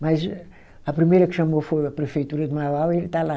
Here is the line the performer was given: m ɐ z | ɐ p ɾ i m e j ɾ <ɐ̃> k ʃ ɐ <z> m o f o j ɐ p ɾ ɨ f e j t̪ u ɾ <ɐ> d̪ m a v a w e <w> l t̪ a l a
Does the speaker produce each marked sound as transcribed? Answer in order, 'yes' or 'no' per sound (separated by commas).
no, no, yes, no